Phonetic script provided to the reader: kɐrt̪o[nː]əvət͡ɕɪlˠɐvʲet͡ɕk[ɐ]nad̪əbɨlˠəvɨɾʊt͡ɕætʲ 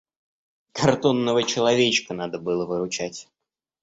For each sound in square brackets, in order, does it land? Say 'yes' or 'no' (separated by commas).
yes, no